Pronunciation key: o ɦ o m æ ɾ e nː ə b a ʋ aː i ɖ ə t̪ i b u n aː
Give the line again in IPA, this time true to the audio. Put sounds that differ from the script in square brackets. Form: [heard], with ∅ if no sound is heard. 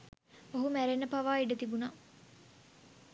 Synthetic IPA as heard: o ɦ [u] m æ ɾ e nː ə [p] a ʋ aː i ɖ ə t̪ i b u n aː